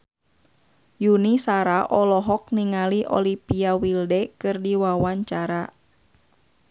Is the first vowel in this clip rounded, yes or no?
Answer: yes